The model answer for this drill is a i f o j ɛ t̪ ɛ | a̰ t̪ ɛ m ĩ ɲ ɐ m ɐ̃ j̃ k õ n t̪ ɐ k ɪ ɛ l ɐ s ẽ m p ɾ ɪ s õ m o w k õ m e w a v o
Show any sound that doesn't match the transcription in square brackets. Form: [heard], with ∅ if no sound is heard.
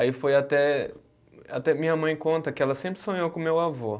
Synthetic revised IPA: a i f o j [a] t̪ ɛ | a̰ t̪ ɛ m ĩ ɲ ɐ m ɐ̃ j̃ k õ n t̪ ɐ k ɪ ɛ l ɐ s ẽ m p ɾ ɪ s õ [ɲ] o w k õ m e w a v o

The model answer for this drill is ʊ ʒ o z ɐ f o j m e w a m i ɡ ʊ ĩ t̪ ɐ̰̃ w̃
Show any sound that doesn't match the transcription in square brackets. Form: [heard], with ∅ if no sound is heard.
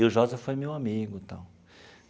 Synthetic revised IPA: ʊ ʒ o z ɐ f o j m e w a m i ɡ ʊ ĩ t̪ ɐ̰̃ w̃

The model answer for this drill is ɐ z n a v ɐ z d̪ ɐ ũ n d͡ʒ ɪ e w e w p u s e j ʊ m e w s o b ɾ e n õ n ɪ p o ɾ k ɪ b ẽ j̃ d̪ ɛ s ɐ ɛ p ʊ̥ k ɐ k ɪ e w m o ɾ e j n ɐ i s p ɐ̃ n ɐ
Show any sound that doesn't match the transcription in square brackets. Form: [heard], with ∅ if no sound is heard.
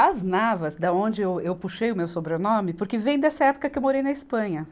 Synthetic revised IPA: ɐ z n a v ɐ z d̪ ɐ [õ] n d͡ʒ ɪ e w e w p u [ʃ] e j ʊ m e w s o b ɾ e n õ [m] ɪ p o ɾ k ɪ [v] ẽ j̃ d̪ ɛ s ɐ ɛ p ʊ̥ k ɐ k ɪ e w m o ɾ e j n ɐ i s p ɐ̃ [ɲ] ɐ

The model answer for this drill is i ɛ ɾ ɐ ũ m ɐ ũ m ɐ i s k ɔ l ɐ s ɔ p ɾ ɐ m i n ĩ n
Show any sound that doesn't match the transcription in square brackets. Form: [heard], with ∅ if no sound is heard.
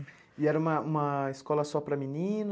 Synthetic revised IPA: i ɛ ɾ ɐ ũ m ɐ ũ m ɐ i s k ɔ l ɐ s ɔ p ɾ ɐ m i n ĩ n

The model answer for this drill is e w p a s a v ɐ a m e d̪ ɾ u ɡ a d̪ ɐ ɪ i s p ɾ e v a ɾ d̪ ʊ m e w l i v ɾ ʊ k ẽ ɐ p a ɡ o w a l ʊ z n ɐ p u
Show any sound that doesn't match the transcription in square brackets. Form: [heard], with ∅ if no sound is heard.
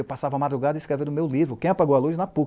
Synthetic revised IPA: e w p a s a v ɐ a m [a] d̪ ɾ u ɡ a d̪ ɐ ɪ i s [k] ɾ e v [e] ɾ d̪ ʊ m e w l i v ɾ ʊ k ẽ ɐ p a ɡ o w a l [u] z n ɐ p u

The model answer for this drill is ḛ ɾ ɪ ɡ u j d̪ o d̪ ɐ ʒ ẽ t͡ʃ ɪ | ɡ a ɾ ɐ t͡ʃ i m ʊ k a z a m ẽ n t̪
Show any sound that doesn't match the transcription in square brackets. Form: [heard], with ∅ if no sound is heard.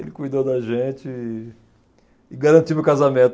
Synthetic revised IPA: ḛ [l] ɪ [k] u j d̪ o d̪ ɐ ʒ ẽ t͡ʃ ɪ | ɡ a ɾ [ɐ̃] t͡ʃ i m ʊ k a z a m ẽ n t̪

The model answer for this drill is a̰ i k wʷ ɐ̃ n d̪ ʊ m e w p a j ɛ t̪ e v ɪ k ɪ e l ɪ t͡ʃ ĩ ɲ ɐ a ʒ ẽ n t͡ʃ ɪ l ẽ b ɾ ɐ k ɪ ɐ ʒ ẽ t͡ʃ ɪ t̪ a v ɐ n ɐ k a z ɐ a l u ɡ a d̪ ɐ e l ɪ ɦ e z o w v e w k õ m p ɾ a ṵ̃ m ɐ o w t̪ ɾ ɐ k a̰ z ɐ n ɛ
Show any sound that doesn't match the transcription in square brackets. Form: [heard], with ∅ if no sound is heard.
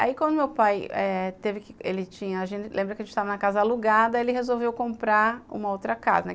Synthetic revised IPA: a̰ i k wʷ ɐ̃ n d̪ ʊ m e w p a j ɛ t̪ e v ɪ k ɪ e l ɪ t͡ʃ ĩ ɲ ɐ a ʒ ẽ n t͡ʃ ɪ l ẽ b ɾ ɐ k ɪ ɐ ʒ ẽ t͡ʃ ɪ t̪ a v ɐ n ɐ k a z ɐ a l u ɡ a d̪ ɐ e l ɪ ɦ e z o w v e w k õ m p ɾ a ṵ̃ m ɐ o w t̪ ɾ ɐ k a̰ z ɐ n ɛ

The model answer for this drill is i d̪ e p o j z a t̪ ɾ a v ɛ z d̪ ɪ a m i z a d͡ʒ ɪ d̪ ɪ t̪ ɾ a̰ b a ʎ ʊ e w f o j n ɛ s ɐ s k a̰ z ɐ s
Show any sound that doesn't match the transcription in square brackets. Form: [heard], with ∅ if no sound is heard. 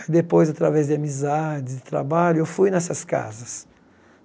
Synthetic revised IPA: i d̪ e p o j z a t̪ ɾ a v ɛ z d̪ ɪ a m i z a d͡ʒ ɪ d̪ ɪ t̪ ɾ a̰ b a ʎ ʊ e w f [u] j n ɛ s ɐ s k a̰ z ɐ s

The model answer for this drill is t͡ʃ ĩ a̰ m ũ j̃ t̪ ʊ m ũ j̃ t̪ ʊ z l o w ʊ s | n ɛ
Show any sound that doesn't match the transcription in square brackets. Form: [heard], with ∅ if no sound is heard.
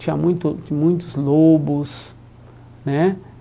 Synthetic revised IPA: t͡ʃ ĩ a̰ m ũ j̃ t̪ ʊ m ũ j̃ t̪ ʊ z l o [b] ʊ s | n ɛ

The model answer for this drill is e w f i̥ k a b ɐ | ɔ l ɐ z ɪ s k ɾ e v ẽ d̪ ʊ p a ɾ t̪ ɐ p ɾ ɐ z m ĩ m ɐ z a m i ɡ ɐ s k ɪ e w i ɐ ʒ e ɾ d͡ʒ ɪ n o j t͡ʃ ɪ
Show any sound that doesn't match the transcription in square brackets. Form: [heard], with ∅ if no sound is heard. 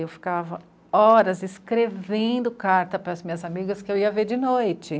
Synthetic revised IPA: e w f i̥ k a [v] ɐ | ɔ [ɾ] ɐ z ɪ s k ɾ e v ẽ d̪ ʊ [k] a ɾ t̪ ɐ p ɾ ɐ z m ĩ [ɲ] ɐ z a m i ɡ ɐ s k ɪ e w i ɐ [v] e ɾ d͡ʒ ɪ n o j t͡ʃ ɪ

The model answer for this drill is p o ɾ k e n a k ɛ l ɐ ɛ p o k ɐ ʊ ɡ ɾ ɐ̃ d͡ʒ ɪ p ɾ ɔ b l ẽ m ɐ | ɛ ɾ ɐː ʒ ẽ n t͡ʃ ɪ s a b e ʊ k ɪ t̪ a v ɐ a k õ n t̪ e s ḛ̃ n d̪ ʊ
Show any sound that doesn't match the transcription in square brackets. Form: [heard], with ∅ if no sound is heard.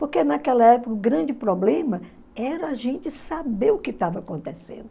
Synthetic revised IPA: p o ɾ k e n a k ɛ l ɐ ɛ p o k ɐ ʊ ɡ ɾ ɐ̃ d͡ʒ ɪ p ɾ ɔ b l ẽ m ɐ | ɛ ɾ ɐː ʒ ẽ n t͡ʃ ɪ s a b e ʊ k ɪ t̪ a v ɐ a k õ n t̪ e s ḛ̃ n d̪ ʊ

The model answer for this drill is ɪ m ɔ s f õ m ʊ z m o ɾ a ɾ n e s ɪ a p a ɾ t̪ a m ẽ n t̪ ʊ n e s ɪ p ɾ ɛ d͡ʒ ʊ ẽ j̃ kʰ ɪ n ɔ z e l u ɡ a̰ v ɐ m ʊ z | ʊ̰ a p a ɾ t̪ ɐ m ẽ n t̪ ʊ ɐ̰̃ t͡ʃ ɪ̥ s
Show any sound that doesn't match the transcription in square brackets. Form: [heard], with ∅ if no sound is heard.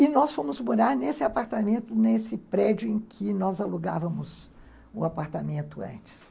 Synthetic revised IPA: ɪ [n] ɔ s f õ m ʊ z m o ɾ a ɾ n e s ɪ a p a ɾ t̪ a m ẽ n t̪ ʊ n e s ɪ p ɾ ɛ d͡ʒ ʊ ẽ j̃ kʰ ɪ n ɔ z [a] l u ɡ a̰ v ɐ m ʊ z | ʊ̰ a p a ɾ t̪ [a] m ẽ n t̪ ʊ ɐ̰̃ t͡ʃ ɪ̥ s

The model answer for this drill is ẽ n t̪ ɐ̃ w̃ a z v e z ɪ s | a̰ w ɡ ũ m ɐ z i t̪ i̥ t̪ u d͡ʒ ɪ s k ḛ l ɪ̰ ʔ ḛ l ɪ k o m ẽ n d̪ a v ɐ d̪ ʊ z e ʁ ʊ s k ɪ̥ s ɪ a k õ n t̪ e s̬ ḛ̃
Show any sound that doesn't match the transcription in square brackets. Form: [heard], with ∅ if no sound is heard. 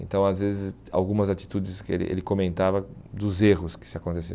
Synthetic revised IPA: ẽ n t̪ ɐ̃ w̃ a z v e z ɪ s | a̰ w ɡ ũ m ɐ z [a] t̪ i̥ t̪ u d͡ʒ ɪ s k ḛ l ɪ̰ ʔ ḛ l ɪ k o m ẽ n [t̪] a v ɐ d̪ ʊ z e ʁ ʊ s k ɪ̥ s ɪ a k õ n t̪ e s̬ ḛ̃

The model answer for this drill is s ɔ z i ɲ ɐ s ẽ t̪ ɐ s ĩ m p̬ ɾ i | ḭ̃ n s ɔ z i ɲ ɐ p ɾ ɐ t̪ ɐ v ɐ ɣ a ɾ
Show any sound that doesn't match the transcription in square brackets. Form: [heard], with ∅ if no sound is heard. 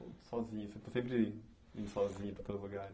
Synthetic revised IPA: s ɔ z i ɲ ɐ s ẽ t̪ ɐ s [ẽ] m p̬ ɾ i | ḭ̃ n s ɔ z i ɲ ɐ p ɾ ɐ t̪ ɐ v ɐ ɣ a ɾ

